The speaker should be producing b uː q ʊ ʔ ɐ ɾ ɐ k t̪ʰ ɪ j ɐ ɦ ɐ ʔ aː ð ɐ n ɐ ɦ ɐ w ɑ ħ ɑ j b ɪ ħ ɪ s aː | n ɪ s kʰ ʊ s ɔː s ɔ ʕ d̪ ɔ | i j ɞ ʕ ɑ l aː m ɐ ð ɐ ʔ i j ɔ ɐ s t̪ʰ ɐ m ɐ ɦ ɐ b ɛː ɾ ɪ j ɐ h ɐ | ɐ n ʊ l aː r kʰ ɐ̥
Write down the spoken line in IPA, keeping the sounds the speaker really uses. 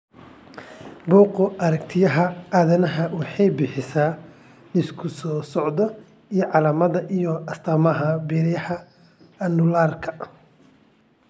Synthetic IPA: b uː q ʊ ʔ ɐ ɾ ɐ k t̪ʰ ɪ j ɐ ɦ ɐ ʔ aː ð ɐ n ɐ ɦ ɐ w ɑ ħ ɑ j b ɪ ħ ɪ s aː | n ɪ s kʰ ʊ s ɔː s ɔ ʕ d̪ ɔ | i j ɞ ʕ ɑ l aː m ɐ ð ɐ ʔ i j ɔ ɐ s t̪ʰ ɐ m ɐ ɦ ɐ b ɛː ɾ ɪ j ɐ h ɐ | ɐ n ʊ l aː r kʰ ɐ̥